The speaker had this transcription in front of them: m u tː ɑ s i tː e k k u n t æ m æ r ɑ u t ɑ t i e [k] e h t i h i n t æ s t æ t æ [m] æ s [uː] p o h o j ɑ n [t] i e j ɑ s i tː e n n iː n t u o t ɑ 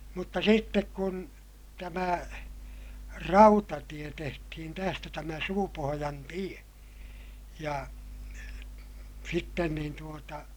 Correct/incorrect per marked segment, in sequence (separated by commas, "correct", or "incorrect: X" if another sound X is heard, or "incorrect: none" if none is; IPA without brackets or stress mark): incorrect: t, correct, correct, correct